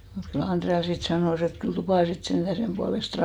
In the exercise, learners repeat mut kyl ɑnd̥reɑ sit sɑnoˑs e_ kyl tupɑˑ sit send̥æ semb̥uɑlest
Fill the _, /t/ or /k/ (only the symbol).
t